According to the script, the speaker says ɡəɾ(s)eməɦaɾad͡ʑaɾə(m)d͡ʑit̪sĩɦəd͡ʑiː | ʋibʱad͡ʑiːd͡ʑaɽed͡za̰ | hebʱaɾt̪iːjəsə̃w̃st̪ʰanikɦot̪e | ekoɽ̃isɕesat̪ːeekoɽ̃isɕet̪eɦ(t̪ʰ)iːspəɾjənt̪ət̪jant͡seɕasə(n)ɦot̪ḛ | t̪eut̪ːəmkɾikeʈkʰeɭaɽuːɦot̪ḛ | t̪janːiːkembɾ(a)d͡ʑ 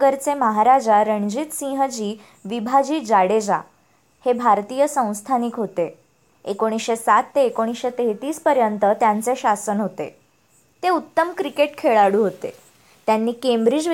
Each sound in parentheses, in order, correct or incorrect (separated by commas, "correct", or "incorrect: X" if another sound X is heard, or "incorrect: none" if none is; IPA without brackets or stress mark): incorrect: t͡s, incorrect: ɳ, incorrect: t̪, correct, incorrect: i